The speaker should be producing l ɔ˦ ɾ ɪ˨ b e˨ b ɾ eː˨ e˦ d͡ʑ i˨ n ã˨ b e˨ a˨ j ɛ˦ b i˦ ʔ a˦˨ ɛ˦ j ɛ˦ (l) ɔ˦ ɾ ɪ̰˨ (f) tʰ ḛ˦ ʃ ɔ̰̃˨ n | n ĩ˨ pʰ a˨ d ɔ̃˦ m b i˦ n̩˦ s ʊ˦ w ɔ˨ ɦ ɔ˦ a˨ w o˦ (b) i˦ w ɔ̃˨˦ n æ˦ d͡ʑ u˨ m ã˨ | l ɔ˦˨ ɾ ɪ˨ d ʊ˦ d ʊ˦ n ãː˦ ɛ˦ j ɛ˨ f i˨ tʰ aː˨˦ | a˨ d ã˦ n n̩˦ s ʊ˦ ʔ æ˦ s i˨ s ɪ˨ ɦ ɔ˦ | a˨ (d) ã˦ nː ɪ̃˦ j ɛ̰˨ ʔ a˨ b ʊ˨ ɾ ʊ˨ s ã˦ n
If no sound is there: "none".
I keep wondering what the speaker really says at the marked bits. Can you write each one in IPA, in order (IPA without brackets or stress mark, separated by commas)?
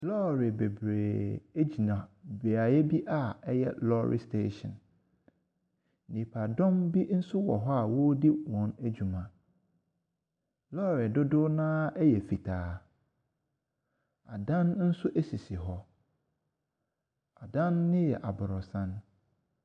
l, s, d, d